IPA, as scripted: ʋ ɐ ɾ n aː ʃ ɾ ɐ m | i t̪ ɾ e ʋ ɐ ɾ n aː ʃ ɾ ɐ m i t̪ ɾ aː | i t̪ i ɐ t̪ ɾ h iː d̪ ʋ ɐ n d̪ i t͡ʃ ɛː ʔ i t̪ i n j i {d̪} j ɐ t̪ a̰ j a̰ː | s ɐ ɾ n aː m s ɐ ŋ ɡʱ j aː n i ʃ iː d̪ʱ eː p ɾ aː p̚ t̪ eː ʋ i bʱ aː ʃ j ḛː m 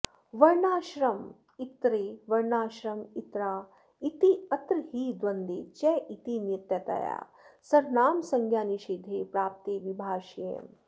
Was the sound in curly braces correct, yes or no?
no